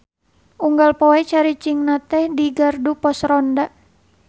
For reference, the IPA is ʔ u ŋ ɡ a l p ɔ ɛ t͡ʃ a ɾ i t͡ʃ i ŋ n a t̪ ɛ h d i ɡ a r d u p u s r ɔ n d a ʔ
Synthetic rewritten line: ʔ u ŋ ɡ a l p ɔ ɛ t͡ʃ a ɾ i t͡ʃ i ŋ n a t̪ ɛ h d i ɡ a r d u p ɔ s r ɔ n d a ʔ